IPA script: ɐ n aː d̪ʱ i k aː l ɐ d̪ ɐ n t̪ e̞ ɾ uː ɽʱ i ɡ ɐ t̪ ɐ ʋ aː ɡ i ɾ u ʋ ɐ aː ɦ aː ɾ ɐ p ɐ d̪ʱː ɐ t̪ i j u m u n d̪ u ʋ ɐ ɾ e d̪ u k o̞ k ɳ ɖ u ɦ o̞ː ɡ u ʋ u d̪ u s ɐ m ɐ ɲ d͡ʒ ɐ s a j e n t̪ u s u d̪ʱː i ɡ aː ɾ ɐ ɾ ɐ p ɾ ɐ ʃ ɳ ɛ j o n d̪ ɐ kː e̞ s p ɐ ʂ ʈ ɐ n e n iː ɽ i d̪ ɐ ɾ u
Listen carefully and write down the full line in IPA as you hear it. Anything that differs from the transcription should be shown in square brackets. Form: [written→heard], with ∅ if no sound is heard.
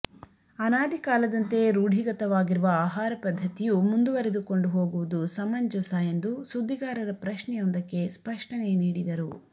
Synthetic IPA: ɐ n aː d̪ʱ i k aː l ɐ d̪ ɐ n t̪ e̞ ɾ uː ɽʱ i ɡ ɐ t̪ ɐ ʋ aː ɡ i ɾ u ʋ ɐ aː ɦ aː ɾ ɐ p ɐ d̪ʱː ɐ t̪ i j u m u n d̪ u ʋ ɐ ɾ e d̪ u k o̞ [k→∅] ɳ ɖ u ɦ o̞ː ɡ u ʋ u d̪ u s ɐ m ɐ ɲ d͡ʒ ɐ s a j e n [t̪→d̪] u s u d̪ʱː i ɡ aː ɾ ɐ ɾ ɐ p ɾ ɐ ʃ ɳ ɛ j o n d̪ ɐ kː e̞ s p ɐ ʂ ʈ ɐ n e n iː ɽ i d̪ ɐ ɾ u

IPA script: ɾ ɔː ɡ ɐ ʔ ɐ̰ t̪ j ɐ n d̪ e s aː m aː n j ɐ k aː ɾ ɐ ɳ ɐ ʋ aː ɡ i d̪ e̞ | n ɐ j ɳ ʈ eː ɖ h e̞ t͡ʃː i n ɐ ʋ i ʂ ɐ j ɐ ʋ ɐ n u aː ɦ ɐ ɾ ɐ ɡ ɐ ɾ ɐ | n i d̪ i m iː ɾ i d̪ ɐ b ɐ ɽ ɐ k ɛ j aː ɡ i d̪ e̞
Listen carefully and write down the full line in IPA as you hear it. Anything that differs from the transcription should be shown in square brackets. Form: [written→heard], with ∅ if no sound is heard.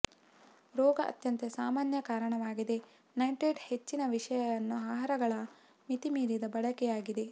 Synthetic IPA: ɾ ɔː ɡ ɐ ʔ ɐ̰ t̪ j ɐ n [d̪→t̪] e s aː m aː n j ɐ k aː ɾ ɐ ɳ ɐ ʋ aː ɡ i d̪ e̞ | n ɐ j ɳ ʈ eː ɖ h e̞ t͡ʃː i n ɐ ʋ i ʂ ɐ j ɐ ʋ ɐ [n→nː] u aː ɦ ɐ ɾ ɐ ɡ ɐ [ɾ→ɭ] ɐ | [n→m] i [d̪→t̪] i m iː ɾ i d̪ ɐ b ɐ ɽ ɐ k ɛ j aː ɡ i d̪ e̞

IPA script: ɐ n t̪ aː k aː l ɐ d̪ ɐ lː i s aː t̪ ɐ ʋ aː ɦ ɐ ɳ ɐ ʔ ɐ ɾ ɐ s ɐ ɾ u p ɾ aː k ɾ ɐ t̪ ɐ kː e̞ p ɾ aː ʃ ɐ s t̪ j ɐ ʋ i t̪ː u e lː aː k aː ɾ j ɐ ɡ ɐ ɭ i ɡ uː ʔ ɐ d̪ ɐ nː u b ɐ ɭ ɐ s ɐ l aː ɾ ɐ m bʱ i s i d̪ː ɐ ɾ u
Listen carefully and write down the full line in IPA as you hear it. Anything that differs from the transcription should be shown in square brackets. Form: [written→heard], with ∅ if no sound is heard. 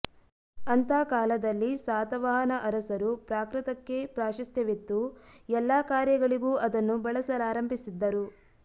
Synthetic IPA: ɐ n t̪ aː k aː l ɐ d̪ ɐ lː i s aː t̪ ɐ ʋ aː ɦ ɐ [ɳ→n] ɐ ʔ ɐ ɾ ɐ s ɐ ɾ u p ɾ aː k ɾ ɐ t̪ ɐ kː e̞ p ɾ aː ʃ ɐ s t̪ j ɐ ʋ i t̪ː u [e→ɛ] lː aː k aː ɾ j ɐ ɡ ɐ ɭ i ɡ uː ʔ ɐ d̪ ɐ nː u b ɐ ɭ ɐ s ɐ l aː ɾ ɐ m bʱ i s i d̪ː ɐ ɾ u

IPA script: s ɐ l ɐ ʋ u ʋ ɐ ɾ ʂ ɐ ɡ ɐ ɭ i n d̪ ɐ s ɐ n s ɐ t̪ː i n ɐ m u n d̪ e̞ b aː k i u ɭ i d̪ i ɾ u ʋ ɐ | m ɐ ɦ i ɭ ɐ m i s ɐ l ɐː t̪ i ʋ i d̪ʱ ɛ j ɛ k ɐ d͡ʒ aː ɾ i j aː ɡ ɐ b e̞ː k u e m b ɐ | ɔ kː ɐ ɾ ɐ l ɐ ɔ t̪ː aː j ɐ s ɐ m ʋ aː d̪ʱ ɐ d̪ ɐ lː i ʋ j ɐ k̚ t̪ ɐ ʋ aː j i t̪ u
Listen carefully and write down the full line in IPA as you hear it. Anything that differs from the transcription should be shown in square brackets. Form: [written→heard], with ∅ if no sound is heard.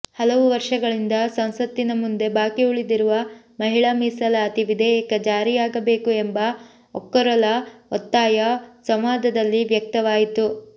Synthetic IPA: [s→h] ɐ l ɐ ʋ u ʋ ɐ ɾ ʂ ɐ ɡ ɐ ɭ i n d̪ ɐ s ɐ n s ɐ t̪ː i n ɐ m u n d̪ e̞ b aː k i u ɭ i d̪ i ɾ u ʋ ɐ | m ɐ ɦ i ɭ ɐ m i s ɐ l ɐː t̪ i ʋ i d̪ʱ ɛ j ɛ k ɐ d͡ʒ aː ɾ i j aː ɡ ɐ b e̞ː k u e m b ɐ | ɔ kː ɐ ɾ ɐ l ɐ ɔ t̪ː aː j ɐ s ɐ m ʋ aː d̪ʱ ɐ d̪ ɐ lː i ʋ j ɐ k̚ t̪ ɐ ʋ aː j i t̪ u

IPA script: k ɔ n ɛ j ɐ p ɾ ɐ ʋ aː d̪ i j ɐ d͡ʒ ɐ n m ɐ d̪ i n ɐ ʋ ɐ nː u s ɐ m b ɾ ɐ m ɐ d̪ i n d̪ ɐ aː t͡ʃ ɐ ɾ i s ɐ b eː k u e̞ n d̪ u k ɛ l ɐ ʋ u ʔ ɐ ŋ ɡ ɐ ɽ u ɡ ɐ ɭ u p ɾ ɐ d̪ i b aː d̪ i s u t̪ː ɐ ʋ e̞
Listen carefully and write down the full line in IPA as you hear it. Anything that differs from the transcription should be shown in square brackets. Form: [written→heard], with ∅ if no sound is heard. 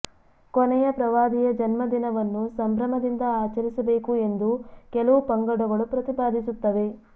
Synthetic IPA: k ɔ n ɛ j ɐ p ɾ ɐ ʋ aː d̪ i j ɐ d͡ʒ ɐ n m ɐ d̪ i n ɐ ʋ ɐ nː u s ɐ m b ɾ ɐ m ɐ d̪ i n d̪ ɐ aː t͡ʃ ɐ ɾ i s ɐ b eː k u e̞ n d̪ u k ɛ l ɐ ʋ u [ʔ→p] ɐ ŋ ɡ ɐ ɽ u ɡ ɐ ɭ u p ɾ ɐ [d̪→t̪] i b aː d̪ i s u t̪ː ɐ ʋ e̞

